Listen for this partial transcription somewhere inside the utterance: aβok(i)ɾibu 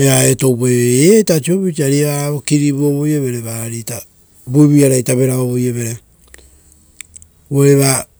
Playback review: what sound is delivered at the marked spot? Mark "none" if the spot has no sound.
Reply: i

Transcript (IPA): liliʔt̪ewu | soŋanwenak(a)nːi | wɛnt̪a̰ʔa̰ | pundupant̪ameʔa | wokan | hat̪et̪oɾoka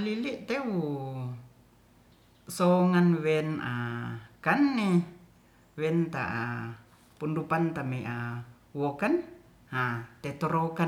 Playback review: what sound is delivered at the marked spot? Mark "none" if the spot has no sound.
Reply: a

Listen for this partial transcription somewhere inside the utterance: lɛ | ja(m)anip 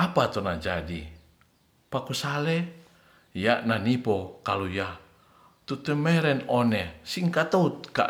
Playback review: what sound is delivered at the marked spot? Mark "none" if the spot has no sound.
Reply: n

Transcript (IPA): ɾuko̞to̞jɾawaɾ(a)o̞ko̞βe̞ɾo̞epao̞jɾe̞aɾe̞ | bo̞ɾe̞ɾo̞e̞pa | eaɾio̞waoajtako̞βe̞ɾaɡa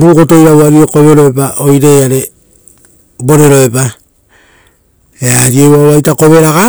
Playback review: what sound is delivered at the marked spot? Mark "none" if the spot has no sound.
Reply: i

